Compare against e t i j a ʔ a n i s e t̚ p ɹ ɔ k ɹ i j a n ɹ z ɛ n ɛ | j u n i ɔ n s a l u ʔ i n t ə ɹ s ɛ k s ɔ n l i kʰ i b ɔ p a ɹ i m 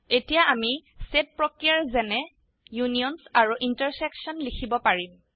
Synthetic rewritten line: e t i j a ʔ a m i s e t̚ p ɹ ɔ k ɹ i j a ɹ z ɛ n ɛ | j u n i ɔ n s a ɹ u ʔ i n t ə ɹ s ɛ k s ɔ n l i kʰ i b ɔ p a ɹ i m